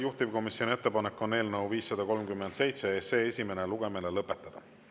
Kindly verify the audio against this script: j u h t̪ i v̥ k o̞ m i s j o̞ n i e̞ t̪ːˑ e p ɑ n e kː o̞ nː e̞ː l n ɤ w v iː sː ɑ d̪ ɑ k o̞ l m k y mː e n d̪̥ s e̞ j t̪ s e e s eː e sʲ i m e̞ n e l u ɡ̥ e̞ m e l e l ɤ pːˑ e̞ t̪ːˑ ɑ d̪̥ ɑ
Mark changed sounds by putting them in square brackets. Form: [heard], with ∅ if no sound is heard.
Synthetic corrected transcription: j u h t̪ i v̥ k o̞ m i s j o̞ n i e̞ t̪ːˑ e p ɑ n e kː o̞ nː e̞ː l n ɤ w v iː sː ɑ d̪ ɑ k o̞ l m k y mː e n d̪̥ s e̞ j t̪ s e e s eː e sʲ i m e̞ n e l u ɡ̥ e̞ m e l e l ɤ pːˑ e̞ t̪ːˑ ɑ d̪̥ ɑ